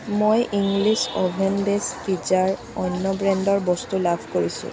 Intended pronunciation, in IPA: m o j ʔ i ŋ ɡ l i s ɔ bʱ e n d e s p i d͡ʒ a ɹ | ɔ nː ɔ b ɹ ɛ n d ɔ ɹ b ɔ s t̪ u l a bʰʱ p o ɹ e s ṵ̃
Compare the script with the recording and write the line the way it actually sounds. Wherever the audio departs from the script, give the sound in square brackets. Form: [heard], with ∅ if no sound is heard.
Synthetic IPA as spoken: m o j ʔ i ŋ ɡ l i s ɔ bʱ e n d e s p i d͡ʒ a ɹ | ɔ nː ɔ b ɹ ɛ n d ɔ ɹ b ɔ s t̪ u l a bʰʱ [k] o ɹ [i] s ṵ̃

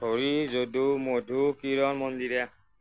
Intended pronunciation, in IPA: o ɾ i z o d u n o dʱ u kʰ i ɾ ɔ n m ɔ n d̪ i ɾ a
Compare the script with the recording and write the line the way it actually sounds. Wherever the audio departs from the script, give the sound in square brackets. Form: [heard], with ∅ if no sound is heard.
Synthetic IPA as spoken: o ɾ i z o d u [m] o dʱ u [k] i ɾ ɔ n m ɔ n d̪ i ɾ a

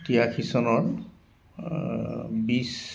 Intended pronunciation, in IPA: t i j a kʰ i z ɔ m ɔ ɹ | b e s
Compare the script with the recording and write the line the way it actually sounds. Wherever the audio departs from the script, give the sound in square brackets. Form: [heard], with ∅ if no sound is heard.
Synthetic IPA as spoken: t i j a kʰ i [s] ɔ [n] ɔ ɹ | b [i] s

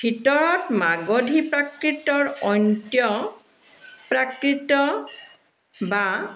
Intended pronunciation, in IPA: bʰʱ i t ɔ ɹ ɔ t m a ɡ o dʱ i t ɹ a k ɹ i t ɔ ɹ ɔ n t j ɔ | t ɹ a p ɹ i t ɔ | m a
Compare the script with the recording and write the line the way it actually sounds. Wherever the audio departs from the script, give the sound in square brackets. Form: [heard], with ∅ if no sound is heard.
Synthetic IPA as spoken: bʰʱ i t ɔ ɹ ɔ t m a ɡ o dʱ i [p] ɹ a k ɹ i t ɔ ɹ ɔ n t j ɔ | [p] ɹ a [k] ɹ i t ɔ | [b] a

